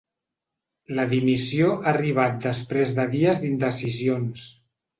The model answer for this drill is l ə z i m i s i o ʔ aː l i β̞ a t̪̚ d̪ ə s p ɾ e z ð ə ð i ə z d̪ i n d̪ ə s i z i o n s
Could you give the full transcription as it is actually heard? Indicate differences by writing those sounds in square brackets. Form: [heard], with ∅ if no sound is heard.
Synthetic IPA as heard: l ə [ð] i m i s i o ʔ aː [r] i β̞ a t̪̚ d̪ ə s p ɾ e z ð ə ð i ə z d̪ i n d̪ ə s i z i o n s

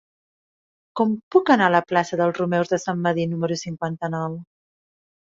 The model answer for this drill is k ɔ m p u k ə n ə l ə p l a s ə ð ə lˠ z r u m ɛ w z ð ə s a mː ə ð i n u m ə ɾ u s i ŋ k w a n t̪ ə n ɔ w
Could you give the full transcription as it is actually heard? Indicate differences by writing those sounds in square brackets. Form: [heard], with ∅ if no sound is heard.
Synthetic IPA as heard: k ɔ m p u k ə n [a] l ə p l a s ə ð ə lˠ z r u m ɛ w z ð ə s a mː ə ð i n u m ə ɾ u s i ŋ k w a n t̪ ə n ɔ w

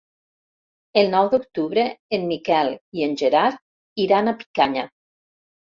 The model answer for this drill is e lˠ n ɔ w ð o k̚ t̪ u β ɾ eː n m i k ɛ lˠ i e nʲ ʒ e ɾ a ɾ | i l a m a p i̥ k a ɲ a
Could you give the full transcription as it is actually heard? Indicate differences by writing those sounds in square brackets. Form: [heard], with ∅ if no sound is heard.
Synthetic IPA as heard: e lˠ n ɔ w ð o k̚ t̪ u β ɾ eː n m i k ɛ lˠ i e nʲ ʒ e ɾ a ɾ | i [ɾ] a [n] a p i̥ k a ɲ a

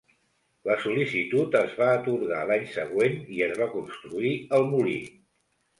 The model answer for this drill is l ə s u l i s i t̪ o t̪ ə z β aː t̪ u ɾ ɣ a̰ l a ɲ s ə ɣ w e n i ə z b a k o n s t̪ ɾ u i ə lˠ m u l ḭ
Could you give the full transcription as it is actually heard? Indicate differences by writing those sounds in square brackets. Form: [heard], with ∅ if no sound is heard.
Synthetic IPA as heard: l ə s u l i s i t̪ [u] t̪ ə z β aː t̪ u ɾ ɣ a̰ l a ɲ s ə ɣ w e n i ə z [β] a k [u] n s t̪ ɾ u i ə lˠ m u l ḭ

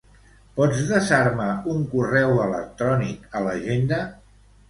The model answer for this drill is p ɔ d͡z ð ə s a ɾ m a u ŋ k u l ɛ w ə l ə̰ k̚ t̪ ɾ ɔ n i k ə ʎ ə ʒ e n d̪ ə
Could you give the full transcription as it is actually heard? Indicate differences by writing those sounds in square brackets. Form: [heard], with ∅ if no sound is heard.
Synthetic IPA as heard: p ɔ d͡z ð ə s a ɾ m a u ŋ k u [r] ɛ w ə l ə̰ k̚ t̪ ɾ ɔ n i k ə [l] ə ʒ e n d̪ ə

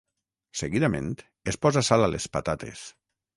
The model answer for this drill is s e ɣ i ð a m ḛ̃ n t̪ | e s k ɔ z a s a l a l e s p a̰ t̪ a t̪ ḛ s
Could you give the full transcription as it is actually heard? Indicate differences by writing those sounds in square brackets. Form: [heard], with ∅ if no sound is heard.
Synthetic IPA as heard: s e ɣ i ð a m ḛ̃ n t̪ | e s [p] ɔ z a s a l a l e s p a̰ t̪ a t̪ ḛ s

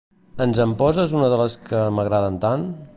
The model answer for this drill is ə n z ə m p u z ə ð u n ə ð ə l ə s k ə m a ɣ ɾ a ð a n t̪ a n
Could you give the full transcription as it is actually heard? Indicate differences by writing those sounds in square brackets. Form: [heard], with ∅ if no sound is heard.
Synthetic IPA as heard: ə n z ə m p [ɔ] z ə [z] u n ə ð ə l ə s k ə m [ə] ɣ ɾ a ð [ə] n t̪ a n

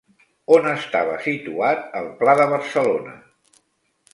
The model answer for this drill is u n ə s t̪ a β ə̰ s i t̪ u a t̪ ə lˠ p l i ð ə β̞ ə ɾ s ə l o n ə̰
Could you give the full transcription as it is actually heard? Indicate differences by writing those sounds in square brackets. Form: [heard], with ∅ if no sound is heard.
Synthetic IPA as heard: [o] n ə s t̪ a β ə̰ s i t̪ u a t̪ ə lˠ p l [a] ð ə β̞ ə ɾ s ə l o n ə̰

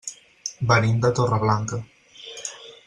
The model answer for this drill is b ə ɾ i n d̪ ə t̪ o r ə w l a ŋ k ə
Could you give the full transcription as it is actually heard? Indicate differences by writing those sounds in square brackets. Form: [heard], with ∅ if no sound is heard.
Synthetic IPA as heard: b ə ɾ i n d̪ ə t̪ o r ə [β] l a ŋ k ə

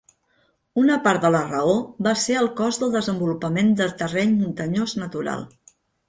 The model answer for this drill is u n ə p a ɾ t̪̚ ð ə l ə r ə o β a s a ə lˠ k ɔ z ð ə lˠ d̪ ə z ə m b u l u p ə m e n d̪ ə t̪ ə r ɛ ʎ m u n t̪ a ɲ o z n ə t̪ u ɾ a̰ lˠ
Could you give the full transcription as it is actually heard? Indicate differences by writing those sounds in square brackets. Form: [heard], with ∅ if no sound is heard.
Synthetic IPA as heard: u n ə p a ɾ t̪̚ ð ə l ə r ə o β a s [e] ə lˠ k ɔ z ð ə lˠ d̪ ə z ə m b u l u p ə m e n d̪ ə t̪ ə r ɛ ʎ m u n t̪ [ə] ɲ o z n ə t̪ u ɾ a̰ lˠ

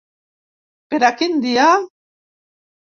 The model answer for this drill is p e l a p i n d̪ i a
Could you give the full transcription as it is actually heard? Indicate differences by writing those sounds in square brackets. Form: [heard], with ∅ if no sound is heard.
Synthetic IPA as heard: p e [ɾ] a [k] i n d̪ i a

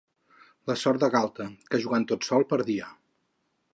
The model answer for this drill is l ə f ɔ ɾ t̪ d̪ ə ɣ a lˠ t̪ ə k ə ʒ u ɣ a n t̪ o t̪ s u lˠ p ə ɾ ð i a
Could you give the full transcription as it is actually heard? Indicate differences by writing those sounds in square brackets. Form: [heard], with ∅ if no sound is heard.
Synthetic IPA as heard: l ə [s] ɔ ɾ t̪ d̪ ə ɣ a lˠ t̪ ə k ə ʒ u ɣ a n t̪ o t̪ s [ɔ] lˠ p ə ɾ ð i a

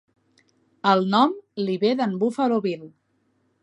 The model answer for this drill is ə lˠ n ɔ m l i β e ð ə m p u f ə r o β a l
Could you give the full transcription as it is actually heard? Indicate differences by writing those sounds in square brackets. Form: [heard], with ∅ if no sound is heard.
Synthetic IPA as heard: ə lˠ n ɔ m l i β e ð ə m [b] u f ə [l] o β [i] l

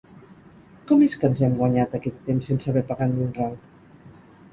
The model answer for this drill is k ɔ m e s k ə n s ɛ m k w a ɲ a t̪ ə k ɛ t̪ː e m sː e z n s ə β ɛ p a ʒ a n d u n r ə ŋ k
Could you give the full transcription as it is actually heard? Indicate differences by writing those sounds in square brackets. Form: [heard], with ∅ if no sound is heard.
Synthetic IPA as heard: k ɔ m e s k ə n [z] ɛ m [ɡ] w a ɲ a t̪ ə k ɛ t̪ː e m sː e [∅] n s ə β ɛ p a [ɣ] a n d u n r [a] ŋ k

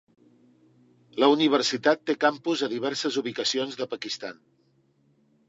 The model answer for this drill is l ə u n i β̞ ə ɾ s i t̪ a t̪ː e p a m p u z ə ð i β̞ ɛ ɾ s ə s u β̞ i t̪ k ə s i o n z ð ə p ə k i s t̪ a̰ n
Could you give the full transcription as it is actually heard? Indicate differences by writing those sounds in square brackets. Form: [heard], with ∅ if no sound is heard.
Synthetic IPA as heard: l ə u n i β̞ ə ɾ s i t̪ a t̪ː e [k] a m p u z ə ð i β̞ ɛ ɾ s ə [z] u β̞ i [∅] k ə s i o n z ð ə p ə k i s t̪ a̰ n

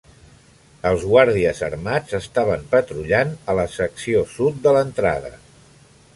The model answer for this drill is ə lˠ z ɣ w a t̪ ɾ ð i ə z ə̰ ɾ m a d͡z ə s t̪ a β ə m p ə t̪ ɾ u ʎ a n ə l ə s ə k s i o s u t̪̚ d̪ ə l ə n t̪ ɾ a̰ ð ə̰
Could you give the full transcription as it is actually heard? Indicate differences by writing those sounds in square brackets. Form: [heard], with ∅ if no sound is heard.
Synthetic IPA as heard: ə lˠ z ɣ w a [∅] ɾ ð i ə z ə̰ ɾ m a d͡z ə s t̪ a β ə m p ə t̪ ɾ u ʎ a n ə l ə s ə k s i o s u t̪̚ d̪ ə l ə n t̪ ɾ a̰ ð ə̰

